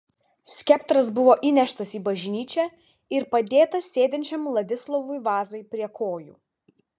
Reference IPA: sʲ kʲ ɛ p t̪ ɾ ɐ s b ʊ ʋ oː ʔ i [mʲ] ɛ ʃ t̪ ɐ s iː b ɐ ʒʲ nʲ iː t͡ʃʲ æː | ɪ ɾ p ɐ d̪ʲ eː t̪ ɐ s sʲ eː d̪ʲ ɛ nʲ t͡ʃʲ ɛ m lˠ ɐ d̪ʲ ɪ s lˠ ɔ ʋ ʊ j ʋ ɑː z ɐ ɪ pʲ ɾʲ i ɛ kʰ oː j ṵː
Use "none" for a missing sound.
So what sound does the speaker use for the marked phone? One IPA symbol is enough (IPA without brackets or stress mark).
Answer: nʲ